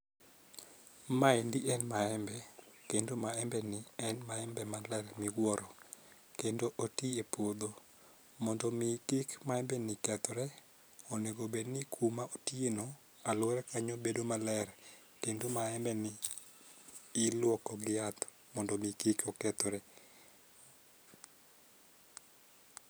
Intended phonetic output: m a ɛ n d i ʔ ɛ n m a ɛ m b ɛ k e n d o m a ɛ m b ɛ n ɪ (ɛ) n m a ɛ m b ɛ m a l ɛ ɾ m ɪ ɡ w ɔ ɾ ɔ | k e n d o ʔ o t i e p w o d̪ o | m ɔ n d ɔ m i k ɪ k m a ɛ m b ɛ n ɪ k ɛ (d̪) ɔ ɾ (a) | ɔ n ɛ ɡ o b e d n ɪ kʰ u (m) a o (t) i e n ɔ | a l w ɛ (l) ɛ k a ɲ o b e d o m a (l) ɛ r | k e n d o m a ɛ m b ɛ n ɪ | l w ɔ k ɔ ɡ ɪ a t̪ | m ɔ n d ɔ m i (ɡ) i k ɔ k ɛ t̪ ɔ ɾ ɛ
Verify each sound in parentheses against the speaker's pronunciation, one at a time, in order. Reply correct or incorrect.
correct, incorrect, incorrect, correct, correct, incorrect, correct, incorrect

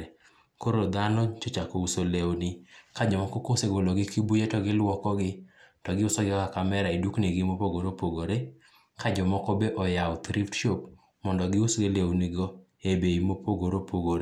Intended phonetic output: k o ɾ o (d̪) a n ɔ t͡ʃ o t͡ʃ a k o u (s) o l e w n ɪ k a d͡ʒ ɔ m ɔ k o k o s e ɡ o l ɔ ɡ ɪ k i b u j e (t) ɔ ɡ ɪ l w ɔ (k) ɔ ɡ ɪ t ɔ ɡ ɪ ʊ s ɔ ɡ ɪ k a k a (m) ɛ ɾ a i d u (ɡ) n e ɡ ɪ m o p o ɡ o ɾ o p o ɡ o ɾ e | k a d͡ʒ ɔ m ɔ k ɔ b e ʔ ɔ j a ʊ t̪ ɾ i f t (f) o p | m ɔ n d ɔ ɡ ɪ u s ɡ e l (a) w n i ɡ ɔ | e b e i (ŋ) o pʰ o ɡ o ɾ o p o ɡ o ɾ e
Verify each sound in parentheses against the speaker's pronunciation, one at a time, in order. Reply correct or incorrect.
correct, correct, correct, correct, correct, incorrect, incorrect, incorrect, incorrect

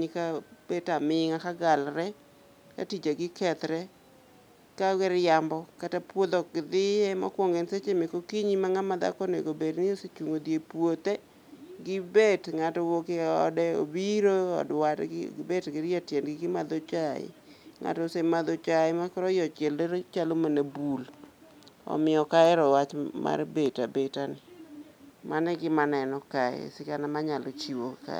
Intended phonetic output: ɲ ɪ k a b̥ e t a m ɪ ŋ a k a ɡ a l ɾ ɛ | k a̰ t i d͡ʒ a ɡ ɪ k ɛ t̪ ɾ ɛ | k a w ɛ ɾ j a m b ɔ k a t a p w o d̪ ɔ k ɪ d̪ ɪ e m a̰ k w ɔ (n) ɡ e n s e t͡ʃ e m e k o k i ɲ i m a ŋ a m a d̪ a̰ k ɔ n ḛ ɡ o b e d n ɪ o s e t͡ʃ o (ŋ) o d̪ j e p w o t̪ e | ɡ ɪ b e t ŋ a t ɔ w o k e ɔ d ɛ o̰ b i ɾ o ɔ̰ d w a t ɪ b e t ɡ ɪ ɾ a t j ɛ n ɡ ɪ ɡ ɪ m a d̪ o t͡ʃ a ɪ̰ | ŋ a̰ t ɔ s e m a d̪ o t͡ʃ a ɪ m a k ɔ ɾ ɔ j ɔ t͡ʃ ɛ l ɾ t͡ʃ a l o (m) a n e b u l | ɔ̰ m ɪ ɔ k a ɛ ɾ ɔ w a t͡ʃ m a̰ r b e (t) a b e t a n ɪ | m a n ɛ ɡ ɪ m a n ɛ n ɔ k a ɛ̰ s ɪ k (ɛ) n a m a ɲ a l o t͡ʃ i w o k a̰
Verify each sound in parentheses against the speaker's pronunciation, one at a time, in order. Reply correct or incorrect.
incorrect, correct, correct, correct, incorrect

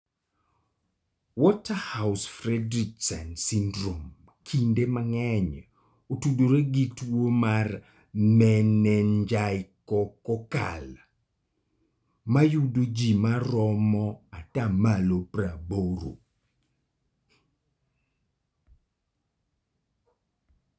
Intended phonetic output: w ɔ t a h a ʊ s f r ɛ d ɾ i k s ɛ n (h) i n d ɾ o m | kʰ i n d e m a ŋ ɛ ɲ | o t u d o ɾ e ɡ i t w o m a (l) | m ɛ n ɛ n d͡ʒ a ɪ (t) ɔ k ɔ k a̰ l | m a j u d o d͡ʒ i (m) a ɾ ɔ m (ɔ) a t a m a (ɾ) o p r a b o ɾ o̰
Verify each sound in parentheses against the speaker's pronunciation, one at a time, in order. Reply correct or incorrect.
incorrect, incorrect, incorrect, correct, correct, incorrect

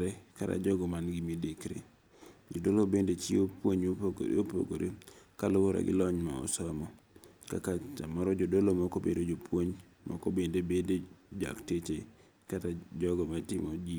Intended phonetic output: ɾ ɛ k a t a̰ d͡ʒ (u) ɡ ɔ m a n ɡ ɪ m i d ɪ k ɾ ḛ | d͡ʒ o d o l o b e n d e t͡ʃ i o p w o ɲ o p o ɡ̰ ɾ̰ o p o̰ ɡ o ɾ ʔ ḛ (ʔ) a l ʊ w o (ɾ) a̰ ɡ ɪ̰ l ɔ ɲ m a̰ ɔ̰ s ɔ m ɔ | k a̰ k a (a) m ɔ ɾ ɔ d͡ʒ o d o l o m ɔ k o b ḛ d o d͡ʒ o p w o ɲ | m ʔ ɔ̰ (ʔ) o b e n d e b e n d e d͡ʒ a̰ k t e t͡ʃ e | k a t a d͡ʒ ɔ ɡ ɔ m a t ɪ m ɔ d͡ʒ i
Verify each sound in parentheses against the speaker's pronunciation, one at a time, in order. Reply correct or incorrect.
incorrect, incorrect, correct, correct, incorrect

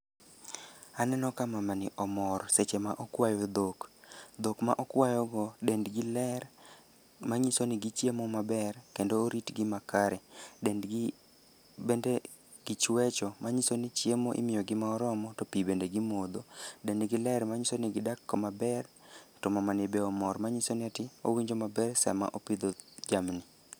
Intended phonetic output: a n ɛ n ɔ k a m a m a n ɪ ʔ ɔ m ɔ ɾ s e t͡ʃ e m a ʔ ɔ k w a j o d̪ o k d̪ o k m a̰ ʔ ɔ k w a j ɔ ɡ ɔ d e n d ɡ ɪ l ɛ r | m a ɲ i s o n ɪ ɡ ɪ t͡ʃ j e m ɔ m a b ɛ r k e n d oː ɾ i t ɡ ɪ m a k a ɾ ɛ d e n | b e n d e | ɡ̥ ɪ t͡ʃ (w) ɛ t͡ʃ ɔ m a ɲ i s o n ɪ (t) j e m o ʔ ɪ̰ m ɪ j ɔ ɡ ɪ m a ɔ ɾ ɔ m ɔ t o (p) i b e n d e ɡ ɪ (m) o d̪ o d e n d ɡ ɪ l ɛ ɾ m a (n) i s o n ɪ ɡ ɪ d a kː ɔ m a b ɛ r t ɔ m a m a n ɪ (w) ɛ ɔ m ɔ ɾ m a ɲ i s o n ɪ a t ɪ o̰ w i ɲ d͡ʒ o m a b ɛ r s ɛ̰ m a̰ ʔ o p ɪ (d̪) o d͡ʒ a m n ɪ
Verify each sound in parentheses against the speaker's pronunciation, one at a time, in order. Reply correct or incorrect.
correct, incorrect, correct, correct, incorrect, incorrect, correct

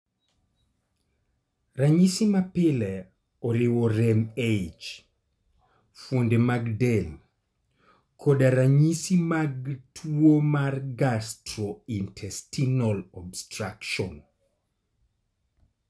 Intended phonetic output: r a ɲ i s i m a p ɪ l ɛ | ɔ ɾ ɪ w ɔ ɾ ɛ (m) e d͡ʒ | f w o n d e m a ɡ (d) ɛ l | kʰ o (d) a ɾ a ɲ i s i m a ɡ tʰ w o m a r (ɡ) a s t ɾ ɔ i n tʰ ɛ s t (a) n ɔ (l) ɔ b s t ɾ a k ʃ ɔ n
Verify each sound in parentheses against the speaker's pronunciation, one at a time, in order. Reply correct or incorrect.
correct, correct, correct, correct, incorrect, correct

